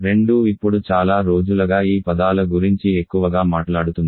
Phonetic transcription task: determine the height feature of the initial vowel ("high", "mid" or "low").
mid